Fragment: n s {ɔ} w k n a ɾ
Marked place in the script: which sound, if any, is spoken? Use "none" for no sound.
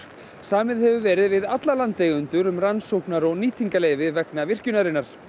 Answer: o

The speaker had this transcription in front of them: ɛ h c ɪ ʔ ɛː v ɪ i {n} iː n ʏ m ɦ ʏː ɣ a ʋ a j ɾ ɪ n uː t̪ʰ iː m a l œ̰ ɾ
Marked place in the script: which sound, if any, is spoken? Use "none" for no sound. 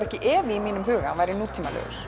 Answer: m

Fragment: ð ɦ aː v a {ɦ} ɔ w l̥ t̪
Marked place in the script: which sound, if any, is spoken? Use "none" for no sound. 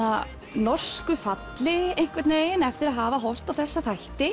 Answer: ɦ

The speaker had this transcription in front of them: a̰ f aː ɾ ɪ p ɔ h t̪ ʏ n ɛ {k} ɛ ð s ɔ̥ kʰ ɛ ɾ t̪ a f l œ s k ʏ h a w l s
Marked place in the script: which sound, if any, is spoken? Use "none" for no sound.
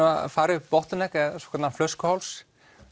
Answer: k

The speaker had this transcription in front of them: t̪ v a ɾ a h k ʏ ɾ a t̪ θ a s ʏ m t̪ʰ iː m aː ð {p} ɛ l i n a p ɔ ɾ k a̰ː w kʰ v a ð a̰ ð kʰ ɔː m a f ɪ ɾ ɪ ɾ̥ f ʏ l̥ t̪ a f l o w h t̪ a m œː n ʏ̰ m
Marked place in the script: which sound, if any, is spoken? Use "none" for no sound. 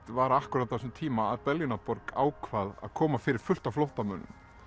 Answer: p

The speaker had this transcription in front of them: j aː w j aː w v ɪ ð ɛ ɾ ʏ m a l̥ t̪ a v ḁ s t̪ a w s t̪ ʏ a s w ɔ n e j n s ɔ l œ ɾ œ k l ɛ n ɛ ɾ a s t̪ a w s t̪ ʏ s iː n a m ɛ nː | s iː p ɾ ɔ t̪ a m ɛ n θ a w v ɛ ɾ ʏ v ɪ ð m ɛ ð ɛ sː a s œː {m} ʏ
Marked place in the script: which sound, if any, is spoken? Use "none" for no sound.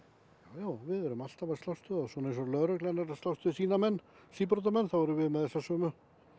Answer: m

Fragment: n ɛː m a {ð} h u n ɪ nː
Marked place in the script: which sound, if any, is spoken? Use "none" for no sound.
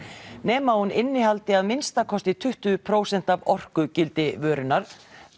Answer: none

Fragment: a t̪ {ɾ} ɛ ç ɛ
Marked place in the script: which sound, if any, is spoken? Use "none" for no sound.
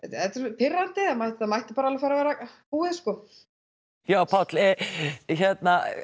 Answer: l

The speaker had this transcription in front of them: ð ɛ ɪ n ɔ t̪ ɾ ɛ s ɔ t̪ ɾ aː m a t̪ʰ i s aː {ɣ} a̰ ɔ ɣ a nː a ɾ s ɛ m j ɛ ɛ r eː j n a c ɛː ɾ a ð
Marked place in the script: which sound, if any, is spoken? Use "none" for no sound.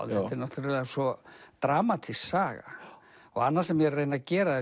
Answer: ɣ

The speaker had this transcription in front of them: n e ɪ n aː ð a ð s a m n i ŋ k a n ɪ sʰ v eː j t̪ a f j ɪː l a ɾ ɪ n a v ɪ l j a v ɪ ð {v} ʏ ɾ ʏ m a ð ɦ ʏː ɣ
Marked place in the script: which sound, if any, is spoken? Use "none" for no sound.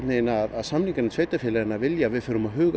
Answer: f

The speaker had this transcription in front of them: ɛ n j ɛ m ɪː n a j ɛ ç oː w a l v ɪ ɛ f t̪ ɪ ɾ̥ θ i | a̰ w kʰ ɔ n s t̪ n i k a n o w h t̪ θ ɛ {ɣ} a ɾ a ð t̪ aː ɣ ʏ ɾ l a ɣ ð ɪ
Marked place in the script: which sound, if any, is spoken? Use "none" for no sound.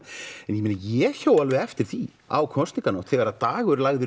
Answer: ɣ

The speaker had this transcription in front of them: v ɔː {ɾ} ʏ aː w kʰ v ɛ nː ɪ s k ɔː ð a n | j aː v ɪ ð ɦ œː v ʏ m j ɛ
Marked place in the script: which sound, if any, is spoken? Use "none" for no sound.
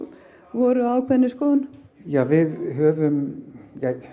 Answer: ɾ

